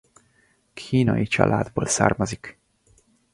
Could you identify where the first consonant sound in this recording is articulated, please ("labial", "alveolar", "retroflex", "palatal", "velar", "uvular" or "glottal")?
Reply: velar